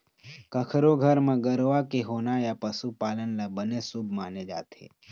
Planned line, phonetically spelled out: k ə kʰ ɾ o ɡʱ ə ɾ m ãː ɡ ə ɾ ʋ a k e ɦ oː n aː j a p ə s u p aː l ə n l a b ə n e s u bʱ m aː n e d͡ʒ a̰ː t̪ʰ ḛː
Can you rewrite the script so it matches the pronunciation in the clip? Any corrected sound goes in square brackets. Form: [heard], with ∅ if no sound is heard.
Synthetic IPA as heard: k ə kʰ ɾ o ɡʱ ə ɾ m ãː ɡ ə ɾ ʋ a k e ɦ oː n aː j a p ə s u p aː l ə n l a b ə n e s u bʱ m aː n e d͡ʒ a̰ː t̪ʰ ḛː

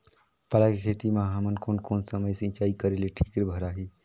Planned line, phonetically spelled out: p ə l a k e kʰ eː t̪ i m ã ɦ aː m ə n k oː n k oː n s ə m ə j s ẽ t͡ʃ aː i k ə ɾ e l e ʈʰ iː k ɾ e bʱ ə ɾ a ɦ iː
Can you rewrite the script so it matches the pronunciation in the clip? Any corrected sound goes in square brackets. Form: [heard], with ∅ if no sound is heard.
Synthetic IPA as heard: p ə l a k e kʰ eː t̪ i m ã ɦ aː m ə n k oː n k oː n s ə m ə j s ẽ t͡ʃ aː i k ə ɾ e l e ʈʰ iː k ɾ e bʱ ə ɾ a ɦ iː

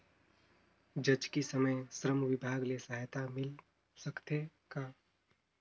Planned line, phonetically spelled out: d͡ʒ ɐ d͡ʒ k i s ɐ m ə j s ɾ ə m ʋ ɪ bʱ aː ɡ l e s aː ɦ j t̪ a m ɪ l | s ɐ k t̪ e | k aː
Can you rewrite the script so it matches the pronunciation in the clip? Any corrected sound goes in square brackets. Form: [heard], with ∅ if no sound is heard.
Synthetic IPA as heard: d͡ʒ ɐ d͡ʒ k i s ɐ m ə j s ɾ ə m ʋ ɪ bʱ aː ɡ l e s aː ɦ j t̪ a m ɪ l | s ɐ k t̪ e | k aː

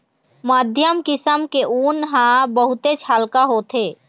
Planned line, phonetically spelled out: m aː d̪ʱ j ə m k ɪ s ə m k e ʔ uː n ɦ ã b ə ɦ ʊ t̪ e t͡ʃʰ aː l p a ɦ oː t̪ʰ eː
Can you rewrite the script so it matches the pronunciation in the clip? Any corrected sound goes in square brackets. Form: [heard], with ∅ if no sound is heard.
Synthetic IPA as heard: m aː d̪ʱ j ə m k ɪ s ə m k e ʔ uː n ɦ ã b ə ɦ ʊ t̪ e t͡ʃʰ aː l [k] a ɦ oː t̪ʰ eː

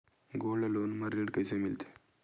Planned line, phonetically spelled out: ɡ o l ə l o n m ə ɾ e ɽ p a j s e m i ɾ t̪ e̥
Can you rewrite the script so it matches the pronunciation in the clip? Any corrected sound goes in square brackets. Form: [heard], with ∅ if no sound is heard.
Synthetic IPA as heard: ɡ o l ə l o n m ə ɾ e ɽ [k] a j s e m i [l] t̪ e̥

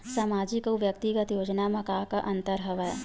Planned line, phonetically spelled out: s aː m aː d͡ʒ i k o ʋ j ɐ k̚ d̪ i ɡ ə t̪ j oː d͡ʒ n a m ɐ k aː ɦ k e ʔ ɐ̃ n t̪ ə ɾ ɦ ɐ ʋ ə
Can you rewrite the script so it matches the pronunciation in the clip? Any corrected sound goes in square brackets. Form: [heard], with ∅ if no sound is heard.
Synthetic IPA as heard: s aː m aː d͡ʒ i k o ʋ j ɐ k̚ [t̪] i ɡ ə t̪ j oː d͡ʒ n a m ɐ k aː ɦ k [a] ʔ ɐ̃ n t̪ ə ɾ ɦ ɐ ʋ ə

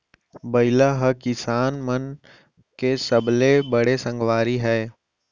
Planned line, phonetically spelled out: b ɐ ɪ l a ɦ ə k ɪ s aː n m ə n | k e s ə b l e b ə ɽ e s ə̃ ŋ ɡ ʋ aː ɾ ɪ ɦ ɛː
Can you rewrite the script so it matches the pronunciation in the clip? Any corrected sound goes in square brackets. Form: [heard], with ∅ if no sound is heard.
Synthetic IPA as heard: b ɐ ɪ l a ɦ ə k ɪ s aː n m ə n | k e s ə b l e b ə ɽ e s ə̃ ŋ ɡ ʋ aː ɾ [i] ɦ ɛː

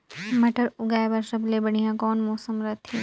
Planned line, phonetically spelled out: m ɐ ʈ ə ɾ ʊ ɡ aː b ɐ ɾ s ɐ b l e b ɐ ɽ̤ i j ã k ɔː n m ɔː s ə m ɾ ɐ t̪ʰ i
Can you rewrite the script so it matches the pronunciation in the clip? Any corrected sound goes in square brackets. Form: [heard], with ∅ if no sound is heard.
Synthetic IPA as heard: m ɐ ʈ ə ɾ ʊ ɡ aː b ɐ ɾ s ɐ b l e b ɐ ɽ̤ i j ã k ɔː n m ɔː s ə m ɾ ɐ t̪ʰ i

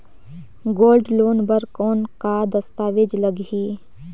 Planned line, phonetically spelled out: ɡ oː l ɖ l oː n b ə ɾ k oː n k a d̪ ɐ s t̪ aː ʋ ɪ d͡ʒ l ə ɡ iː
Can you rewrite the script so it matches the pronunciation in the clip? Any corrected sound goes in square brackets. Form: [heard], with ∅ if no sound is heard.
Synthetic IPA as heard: ɡ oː l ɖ l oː n b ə ɾ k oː n k a d̪ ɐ s t̪ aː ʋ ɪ d͡ʒ l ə ɡ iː

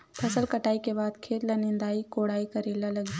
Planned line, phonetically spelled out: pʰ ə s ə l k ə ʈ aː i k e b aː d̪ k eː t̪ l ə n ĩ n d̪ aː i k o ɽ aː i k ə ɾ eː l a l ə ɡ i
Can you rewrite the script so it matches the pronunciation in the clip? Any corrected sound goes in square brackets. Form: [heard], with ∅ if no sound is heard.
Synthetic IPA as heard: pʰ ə s ə l k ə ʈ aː i k e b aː d̪ [kʰ] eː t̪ l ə n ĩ n d̪ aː i k o ɽ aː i k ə ɾ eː l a l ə ɡ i

